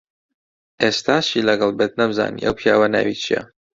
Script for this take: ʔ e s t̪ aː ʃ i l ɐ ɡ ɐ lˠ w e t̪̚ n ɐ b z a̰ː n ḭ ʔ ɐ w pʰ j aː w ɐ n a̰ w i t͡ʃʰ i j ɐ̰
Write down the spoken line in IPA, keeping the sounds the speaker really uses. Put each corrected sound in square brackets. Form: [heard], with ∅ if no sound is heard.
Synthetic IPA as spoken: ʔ e s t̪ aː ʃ i l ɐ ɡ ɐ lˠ [b] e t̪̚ n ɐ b z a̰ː n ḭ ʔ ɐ w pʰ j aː w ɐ n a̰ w i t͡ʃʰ i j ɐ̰